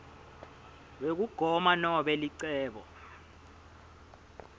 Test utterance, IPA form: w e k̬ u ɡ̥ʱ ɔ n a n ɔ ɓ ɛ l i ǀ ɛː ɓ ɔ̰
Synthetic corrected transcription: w e k̬ u ɡ̥ʱ ɔ m a n ɔ ɓ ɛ l i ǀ ɛː ɓ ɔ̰